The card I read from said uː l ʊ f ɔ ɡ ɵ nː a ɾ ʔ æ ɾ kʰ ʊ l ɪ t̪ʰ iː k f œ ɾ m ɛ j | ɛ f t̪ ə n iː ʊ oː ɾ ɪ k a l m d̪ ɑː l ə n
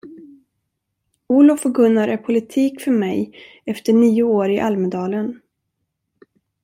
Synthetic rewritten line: uː l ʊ f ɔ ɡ ɵ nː a ɾ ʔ æ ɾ pʰ ʊ l ɪ t̪ʰ iː k f œ ɾ m ɛ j | ɛ f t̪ ə ɳ iː ʊ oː ɾ ɪ ʔ a l m d̪ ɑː l ə n